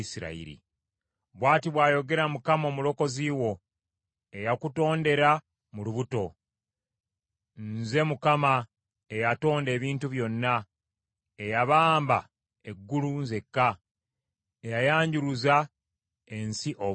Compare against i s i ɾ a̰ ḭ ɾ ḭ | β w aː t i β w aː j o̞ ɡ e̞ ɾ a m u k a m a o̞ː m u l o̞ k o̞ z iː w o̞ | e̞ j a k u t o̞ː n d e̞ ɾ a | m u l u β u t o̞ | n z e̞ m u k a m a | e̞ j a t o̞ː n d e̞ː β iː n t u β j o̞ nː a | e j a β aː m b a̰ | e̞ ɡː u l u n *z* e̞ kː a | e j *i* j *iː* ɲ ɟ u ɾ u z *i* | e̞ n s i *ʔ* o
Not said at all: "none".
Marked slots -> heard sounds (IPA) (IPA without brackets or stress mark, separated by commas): z, a, aː, a, ʔ